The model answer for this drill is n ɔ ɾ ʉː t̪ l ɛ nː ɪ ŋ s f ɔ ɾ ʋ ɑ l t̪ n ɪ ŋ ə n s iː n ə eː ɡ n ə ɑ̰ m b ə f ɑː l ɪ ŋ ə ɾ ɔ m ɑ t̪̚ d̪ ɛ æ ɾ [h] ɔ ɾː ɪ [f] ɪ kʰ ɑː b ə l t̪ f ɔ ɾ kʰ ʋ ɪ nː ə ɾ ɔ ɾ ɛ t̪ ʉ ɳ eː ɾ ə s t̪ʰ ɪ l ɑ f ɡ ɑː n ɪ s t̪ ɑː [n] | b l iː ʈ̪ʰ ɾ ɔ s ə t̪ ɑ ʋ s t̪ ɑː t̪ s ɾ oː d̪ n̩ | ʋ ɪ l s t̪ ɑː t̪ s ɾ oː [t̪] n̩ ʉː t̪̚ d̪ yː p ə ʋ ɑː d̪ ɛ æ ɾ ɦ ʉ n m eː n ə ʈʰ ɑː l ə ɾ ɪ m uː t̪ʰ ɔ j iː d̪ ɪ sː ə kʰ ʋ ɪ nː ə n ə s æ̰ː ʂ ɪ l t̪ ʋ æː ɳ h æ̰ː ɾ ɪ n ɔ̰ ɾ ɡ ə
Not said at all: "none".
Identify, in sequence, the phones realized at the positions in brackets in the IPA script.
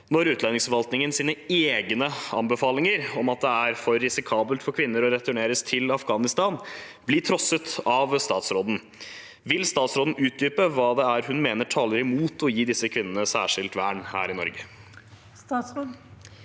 f, s, n, d̪

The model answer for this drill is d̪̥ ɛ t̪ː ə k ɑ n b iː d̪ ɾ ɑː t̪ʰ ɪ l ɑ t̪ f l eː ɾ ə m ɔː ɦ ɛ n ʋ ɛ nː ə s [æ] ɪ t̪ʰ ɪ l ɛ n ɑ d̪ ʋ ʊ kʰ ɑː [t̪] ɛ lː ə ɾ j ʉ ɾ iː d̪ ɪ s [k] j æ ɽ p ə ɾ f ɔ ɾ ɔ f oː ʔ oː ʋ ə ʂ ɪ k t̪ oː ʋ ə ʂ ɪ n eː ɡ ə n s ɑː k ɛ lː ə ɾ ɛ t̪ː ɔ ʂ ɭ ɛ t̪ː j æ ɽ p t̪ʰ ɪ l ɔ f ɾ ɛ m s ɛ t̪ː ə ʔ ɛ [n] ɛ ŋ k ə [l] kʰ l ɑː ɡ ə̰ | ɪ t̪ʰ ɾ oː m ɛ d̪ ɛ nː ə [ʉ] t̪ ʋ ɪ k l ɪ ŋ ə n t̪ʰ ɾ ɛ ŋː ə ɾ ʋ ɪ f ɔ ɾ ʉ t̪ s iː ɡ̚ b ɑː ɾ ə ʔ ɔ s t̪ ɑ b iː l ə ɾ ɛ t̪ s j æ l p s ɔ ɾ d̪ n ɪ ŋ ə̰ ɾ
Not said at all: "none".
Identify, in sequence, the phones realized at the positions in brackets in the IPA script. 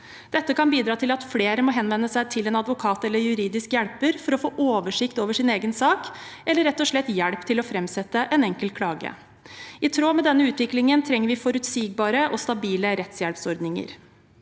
æ, t̪, k, n, l, ʉː

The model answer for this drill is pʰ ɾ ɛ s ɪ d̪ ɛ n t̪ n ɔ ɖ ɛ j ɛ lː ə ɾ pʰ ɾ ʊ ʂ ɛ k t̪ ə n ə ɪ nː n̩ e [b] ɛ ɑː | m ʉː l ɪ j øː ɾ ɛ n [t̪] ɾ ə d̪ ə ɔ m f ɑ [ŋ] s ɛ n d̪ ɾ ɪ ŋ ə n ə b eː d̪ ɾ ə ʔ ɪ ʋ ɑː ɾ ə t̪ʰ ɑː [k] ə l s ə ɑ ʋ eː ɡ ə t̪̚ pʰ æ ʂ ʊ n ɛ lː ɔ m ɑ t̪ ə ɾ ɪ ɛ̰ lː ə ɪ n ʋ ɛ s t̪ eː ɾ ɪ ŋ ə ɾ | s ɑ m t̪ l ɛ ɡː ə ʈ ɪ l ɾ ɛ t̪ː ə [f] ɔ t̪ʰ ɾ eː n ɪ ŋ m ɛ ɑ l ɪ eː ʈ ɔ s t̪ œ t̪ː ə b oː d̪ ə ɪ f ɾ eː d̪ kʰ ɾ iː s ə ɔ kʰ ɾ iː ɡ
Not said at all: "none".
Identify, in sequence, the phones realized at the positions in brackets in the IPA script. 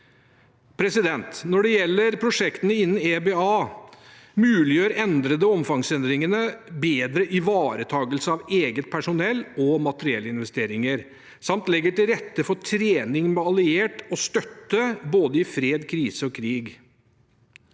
b, d̪, ŋ, ɡ, f

